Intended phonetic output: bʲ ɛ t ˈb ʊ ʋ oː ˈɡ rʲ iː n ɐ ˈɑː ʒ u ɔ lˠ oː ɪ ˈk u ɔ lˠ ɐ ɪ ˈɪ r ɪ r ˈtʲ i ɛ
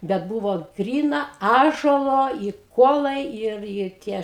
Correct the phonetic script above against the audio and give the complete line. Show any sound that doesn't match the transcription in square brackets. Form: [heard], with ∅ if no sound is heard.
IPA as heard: bʲ ɛ t ˈb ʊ ʋ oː ˈɡ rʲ iː n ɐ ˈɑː ʒ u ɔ lˠ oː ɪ ˈk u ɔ lˠ ɐ ɪ ˈɪ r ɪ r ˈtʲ i ɛ

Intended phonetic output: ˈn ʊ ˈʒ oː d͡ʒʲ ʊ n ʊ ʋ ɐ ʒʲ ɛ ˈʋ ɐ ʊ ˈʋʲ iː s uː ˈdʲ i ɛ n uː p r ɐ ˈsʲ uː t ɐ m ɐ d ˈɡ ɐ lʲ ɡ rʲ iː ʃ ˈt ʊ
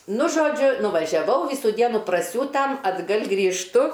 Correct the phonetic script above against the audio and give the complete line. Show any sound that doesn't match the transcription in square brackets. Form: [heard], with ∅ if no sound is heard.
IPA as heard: ˈn ʊ ˈʒ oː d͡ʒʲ ʊ n ʊ ʋ ɐ ʒʲ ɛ ˈʋ ɐ ʊ ˈʋʲ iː s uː ˈdʲ i ɛ n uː p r ɐ ˈsʲ uː t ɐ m ɐ d ˈɡ ɐ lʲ ɡ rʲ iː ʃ ˈt ʊ

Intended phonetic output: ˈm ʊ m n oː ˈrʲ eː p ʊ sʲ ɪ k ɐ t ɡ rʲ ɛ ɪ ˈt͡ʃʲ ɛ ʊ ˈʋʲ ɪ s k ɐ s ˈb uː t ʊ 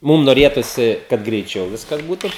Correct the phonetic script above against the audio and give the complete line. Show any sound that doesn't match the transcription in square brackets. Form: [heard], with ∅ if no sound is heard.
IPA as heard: ˈm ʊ m n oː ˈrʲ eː [t] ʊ sʲ ɪ k ɐ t ɡ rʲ ɛ ɪ ˈt͡ʃʲ ɛ ʊ ˈʋʲ ɪ s k ɐ s ˈb uː t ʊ

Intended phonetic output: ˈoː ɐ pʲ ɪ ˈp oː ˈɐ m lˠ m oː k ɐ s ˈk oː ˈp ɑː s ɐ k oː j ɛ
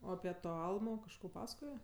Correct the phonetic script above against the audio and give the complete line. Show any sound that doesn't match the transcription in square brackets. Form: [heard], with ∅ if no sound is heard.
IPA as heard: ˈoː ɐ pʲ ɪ [ˈt] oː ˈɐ [∅] lˠ m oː k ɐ [ʃ] ˈk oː ˈp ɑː s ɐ k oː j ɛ

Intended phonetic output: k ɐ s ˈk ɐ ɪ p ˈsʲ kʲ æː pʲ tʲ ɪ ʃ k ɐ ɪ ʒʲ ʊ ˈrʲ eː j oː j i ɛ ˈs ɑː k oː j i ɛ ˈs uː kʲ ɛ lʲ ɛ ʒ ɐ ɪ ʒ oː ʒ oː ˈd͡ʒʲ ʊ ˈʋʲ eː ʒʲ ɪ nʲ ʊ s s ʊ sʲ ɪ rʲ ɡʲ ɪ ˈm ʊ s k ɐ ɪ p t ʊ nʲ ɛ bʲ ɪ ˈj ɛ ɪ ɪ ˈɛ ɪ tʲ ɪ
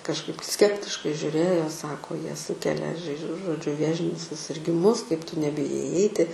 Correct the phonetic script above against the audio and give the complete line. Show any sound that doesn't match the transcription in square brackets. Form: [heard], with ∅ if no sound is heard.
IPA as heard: k ɐ [ʃ] ˈk ɐ ɪ p ˈsʲ kʲ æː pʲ tʲ ɪ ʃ k ɐ ɪ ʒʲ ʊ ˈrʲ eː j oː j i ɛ ˈs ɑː k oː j i ɛ ˈs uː kʲ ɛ lʲ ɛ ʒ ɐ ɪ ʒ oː ʒ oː ˈd͡ʒʲ ʊ ˈʋʲ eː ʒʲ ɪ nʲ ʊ s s ʊ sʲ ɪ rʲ ɡʲ ɪ ˈm ʊ s k ɐ ɪ p t ʊ nʲ ɛ bʲ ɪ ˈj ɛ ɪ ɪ ˈɛ ɪ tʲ ɪ

